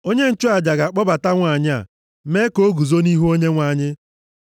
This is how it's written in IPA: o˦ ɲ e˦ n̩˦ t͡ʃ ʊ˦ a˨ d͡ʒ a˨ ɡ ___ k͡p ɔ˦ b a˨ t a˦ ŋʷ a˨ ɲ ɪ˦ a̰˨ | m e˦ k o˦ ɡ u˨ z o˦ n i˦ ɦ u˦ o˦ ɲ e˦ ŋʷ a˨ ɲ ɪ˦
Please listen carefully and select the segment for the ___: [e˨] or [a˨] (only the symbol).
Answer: a˨